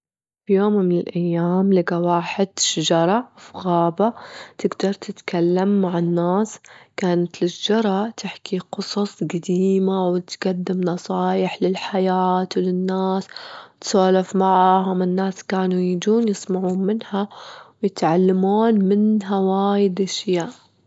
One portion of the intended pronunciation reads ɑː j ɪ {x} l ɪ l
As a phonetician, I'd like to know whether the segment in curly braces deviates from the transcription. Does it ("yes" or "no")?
yes